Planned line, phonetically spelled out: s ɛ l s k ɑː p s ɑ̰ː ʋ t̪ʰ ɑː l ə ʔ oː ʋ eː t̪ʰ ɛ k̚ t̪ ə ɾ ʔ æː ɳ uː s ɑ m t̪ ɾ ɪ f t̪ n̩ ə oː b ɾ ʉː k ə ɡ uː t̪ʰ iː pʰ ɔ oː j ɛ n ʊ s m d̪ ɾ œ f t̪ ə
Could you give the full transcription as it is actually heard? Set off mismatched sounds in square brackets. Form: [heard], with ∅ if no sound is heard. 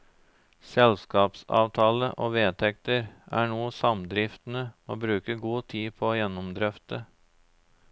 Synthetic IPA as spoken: s ɛ l s k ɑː p s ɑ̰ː ʋ t̪ʰ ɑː l ə ʔ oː ʋ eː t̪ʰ ɛ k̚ t̪ ə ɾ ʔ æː ɳ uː s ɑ m [d̪] ɾ ɪ f t̪ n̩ ə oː b ɾ ʉː k ə ɡ uː t̪ʰ iː pʰ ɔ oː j ɛ n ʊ [∅] m d̪ ɾ œ f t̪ ə

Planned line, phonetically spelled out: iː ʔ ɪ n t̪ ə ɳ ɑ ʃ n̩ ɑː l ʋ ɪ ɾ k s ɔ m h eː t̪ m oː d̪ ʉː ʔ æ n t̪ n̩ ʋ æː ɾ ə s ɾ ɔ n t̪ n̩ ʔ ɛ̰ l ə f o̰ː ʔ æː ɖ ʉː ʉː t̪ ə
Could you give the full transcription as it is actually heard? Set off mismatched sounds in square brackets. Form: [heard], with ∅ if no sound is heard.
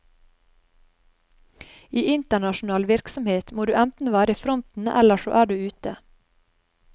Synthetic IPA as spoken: iː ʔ ɪ n t̪ ə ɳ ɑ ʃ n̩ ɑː l ʋ ɪ ɾ k s ɔ m h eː t̪ m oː d̪ ʉː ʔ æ n t̪ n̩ ʋ æː ɾ ə [f] ɾ ɔ n t̪ n̩ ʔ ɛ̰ l ə [ʃ] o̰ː ʔ æː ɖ ʉː ʉː t̪ ə

